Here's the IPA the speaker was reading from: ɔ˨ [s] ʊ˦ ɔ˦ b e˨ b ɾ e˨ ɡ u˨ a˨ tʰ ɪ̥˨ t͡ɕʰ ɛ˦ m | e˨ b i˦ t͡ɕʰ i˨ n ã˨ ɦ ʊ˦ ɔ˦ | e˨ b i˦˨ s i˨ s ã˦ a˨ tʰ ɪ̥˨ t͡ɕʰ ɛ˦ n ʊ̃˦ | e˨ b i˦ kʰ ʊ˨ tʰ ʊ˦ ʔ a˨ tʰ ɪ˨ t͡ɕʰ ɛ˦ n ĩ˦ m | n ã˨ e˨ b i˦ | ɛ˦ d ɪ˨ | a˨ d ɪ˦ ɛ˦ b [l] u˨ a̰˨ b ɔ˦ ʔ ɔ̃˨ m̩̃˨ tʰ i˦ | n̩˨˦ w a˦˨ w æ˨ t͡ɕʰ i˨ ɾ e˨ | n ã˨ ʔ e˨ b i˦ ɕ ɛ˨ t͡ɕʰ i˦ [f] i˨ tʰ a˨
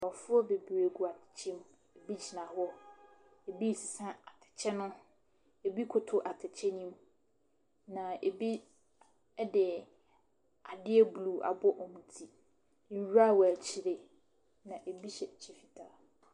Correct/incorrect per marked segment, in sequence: incorrect, correct, correct

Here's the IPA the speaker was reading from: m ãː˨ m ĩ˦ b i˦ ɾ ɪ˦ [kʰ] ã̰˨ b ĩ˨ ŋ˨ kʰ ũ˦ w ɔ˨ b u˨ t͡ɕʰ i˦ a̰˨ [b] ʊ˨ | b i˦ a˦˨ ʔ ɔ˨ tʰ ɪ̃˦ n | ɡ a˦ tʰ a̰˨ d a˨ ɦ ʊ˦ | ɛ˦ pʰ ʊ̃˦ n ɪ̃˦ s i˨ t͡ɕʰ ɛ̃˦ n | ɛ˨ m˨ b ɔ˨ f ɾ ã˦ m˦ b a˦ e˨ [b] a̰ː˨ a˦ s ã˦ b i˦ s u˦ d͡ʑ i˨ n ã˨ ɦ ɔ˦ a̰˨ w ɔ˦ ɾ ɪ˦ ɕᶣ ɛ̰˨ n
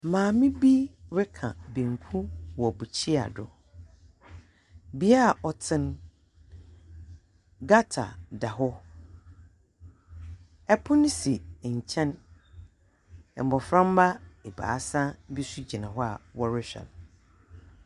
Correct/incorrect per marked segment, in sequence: correct, incorrect, correct

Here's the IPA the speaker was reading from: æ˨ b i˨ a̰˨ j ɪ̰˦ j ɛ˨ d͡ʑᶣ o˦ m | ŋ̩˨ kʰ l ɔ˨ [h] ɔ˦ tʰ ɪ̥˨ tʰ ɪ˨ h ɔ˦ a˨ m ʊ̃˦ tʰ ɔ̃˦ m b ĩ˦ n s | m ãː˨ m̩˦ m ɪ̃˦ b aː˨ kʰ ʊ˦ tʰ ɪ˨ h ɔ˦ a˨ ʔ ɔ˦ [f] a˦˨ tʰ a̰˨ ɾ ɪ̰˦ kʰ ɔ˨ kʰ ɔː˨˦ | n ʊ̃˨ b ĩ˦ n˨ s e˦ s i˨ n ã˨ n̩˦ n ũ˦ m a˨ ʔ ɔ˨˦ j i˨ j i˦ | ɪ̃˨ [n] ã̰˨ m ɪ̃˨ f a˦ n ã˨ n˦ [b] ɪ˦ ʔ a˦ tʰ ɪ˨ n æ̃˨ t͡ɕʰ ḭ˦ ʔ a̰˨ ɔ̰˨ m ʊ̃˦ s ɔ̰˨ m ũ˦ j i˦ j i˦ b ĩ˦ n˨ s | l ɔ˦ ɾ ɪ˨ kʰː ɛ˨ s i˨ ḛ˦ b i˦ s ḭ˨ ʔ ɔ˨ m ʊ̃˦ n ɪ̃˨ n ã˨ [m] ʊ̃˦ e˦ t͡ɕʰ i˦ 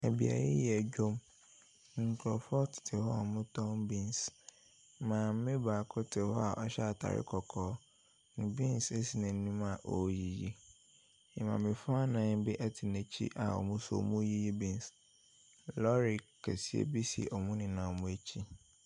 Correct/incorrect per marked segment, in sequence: incorrect, incorrect, incorrect, correct, correct

